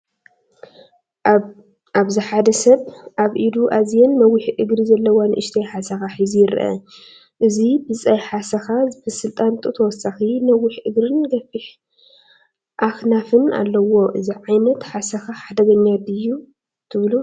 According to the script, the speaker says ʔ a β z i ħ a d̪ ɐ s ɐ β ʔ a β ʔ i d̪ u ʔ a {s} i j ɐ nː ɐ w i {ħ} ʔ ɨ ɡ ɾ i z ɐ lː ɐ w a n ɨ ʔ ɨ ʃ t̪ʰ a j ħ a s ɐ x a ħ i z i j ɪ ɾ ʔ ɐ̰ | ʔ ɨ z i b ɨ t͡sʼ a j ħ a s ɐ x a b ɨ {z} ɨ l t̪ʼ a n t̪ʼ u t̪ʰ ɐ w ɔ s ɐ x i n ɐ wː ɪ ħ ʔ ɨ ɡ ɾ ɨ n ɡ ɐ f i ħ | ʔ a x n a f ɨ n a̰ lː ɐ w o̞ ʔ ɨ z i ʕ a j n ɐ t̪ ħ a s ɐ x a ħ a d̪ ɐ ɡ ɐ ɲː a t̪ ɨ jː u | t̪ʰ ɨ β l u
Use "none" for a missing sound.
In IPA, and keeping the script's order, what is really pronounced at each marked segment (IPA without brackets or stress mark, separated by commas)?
z, ħ, s